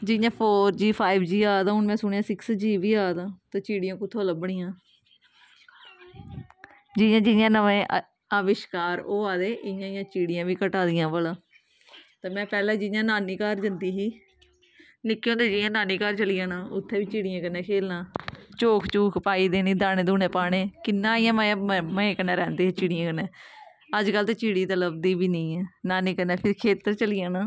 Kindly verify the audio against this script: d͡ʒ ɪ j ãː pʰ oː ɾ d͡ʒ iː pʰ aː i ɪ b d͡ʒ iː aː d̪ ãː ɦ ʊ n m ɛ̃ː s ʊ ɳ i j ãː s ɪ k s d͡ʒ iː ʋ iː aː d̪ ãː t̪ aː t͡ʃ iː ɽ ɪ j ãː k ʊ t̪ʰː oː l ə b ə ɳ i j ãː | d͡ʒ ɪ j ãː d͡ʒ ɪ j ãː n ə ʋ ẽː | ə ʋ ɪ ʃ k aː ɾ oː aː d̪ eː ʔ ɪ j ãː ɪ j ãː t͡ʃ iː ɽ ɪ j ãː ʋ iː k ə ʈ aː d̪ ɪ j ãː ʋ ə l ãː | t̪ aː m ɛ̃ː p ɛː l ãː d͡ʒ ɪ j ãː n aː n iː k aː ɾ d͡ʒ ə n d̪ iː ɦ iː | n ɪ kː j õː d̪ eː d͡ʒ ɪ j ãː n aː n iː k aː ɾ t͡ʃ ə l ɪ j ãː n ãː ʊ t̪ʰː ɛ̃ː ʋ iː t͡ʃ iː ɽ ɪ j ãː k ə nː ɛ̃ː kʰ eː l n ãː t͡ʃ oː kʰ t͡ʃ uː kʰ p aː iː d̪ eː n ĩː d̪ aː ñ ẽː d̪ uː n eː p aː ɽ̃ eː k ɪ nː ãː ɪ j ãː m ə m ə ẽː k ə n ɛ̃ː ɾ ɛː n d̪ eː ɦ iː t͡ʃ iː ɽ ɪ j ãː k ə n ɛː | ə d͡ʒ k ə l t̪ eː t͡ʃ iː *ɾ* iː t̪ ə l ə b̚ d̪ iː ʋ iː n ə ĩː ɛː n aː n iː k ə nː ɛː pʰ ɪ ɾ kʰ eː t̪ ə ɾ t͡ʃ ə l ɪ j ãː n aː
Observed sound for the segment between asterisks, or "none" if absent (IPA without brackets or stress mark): ɽ